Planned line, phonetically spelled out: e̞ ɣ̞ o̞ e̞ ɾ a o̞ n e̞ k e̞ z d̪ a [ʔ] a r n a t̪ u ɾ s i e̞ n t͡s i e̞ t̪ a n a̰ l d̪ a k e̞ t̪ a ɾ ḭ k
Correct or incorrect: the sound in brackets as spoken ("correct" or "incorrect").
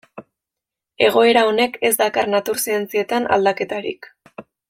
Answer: incorrect